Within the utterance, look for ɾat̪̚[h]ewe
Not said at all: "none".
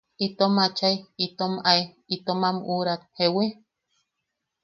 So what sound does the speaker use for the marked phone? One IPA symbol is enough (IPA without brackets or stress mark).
h